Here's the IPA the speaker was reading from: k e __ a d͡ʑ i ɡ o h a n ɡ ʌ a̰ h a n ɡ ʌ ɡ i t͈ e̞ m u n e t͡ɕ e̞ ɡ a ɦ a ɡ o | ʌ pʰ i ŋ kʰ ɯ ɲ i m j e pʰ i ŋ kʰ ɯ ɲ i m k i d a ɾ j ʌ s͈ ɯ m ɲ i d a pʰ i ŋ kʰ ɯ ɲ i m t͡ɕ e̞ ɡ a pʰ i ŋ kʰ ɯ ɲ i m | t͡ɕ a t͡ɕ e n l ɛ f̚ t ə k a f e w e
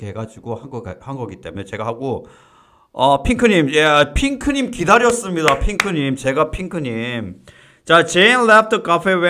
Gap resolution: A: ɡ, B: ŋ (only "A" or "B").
A